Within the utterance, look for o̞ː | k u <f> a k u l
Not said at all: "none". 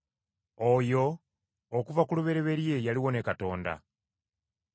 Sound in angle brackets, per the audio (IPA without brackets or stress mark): v